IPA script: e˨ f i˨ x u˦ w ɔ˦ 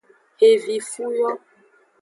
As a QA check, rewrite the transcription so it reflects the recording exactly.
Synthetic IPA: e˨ v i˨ f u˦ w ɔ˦